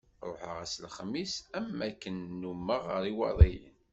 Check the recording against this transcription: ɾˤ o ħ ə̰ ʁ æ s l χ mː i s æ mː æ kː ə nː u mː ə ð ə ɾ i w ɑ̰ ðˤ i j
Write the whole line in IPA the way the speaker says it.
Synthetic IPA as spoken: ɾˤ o ħ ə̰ ʁ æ s l χ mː i s æ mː æ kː ə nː u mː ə ʁ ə ɾ i w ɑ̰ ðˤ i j